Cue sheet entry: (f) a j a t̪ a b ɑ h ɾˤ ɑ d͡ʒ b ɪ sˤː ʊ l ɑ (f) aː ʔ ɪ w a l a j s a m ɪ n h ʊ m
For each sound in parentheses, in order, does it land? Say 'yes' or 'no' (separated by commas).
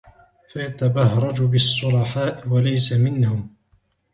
yes, no